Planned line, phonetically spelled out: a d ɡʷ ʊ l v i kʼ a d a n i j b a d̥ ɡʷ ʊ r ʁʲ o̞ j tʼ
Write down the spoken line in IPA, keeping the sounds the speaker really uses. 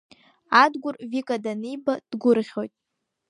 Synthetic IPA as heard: a d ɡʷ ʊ r v i kʼ a d a n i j b a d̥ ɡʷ ʊ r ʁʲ o̞ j tʼ

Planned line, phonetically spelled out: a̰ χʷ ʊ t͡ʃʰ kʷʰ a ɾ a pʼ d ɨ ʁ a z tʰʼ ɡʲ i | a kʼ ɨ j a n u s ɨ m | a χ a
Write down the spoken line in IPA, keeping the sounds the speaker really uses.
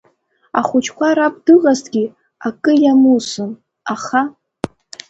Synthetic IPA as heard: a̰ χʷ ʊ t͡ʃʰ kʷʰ a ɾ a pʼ d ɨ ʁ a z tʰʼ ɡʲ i | a kʼ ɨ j a m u s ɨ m | a χ a

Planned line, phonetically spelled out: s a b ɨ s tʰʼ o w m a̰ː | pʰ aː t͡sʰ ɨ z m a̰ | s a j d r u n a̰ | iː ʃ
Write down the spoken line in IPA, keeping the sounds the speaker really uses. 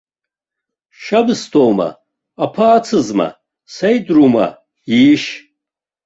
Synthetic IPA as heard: ʃ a b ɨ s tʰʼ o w m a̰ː | pʰ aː t͡sʰ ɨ z m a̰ | s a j d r u m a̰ | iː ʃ

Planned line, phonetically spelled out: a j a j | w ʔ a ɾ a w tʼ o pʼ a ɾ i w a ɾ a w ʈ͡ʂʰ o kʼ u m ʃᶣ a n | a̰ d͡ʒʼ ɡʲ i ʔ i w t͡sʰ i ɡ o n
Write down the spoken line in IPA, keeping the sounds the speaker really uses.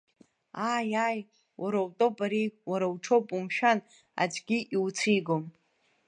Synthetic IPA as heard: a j a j | w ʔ a ɾ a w tʼ o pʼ a ɾ i w a ɾ a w ʈ͡ʂʰ o pʼ u m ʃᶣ a n | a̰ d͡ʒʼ ɡʲ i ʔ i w t͡sʰ i ɡ o m

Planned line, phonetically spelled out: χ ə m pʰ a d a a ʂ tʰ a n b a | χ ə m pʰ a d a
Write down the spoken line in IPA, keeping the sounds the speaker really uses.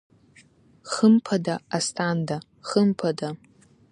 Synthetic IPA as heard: χ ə m pʰ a d a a s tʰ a n d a | χ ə m pʰ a d a

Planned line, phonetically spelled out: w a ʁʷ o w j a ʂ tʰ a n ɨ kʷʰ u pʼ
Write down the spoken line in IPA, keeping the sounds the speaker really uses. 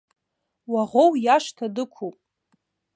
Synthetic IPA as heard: w a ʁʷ o w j a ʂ tʰ a d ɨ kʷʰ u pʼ

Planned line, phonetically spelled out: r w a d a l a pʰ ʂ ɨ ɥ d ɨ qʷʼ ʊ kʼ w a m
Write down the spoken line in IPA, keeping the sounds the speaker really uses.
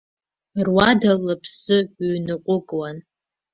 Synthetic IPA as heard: r w a d a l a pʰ s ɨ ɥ n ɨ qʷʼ ʊ kʼ w a n

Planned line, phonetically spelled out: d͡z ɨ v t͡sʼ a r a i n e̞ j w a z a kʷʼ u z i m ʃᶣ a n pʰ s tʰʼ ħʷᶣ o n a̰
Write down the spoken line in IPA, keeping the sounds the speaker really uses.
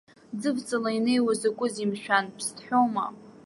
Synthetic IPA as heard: d͡z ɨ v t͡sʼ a l a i n e̞ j w a z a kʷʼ ʊ z i m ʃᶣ a n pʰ s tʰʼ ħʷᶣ o m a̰

